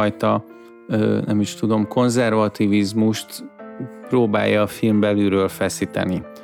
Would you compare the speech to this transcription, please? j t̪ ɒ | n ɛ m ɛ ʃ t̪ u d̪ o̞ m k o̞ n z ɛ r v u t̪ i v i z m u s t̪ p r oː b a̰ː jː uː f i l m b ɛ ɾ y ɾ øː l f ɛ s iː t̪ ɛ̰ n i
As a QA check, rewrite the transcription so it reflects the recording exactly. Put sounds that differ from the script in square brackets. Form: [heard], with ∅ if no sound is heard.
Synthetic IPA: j t̪ ɒ | n ɛ m [i] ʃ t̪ u d̪ o̞ m k o̞ n z ɛ r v [ɒ] t̪ i v i z m u [ʃ] t̪ p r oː b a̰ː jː [ɒː] f i l m b ɛ [l] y ɾ øː l f ɛ s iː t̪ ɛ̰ n i